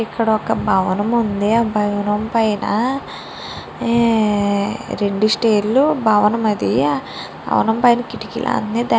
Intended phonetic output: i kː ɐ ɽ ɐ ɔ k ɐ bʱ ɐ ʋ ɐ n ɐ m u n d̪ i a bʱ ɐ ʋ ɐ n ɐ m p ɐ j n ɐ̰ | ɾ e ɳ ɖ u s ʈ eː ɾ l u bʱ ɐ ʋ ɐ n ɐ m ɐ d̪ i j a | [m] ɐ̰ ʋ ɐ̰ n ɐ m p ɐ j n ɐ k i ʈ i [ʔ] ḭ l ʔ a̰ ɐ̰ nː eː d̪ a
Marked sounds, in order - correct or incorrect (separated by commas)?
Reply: incorrect, incorrect